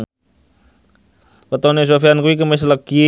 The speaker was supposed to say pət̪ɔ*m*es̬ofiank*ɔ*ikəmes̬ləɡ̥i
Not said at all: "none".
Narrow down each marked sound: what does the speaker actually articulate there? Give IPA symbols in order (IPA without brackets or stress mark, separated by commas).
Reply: n, u